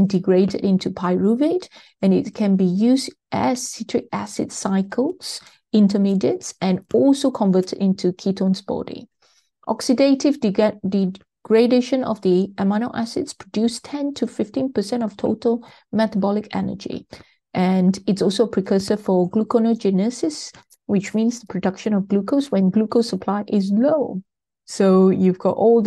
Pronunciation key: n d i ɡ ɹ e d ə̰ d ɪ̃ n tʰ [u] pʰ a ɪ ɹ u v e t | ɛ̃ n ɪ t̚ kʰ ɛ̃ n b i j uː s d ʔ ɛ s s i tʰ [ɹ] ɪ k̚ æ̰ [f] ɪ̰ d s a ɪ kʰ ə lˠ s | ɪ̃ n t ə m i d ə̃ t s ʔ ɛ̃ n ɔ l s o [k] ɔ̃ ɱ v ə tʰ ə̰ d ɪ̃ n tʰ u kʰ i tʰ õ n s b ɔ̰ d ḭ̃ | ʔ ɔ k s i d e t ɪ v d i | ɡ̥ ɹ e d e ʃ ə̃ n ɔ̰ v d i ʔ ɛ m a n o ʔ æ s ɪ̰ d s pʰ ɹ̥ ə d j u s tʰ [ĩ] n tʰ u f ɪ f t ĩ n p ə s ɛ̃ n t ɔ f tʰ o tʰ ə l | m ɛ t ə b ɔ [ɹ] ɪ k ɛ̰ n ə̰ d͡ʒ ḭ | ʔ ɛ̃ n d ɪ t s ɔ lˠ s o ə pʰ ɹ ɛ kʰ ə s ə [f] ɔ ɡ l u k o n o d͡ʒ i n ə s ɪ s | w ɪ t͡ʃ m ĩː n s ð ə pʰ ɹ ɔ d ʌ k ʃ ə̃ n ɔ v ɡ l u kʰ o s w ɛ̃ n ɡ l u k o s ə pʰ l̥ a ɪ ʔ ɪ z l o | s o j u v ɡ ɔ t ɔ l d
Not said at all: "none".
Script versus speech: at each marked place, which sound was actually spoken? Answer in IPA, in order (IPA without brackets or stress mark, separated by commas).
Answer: u, ɹ, s, kʰ, ɛ̃, l, f